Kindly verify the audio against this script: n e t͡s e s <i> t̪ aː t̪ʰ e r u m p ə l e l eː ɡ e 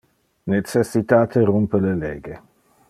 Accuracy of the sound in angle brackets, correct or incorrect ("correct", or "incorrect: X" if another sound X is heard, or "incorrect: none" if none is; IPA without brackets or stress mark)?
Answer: correct